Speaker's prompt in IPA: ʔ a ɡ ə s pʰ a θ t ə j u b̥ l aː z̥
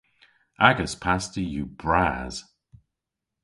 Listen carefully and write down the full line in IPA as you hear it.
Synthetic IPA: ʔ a ɡ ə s pʰ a s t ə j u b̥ ɹ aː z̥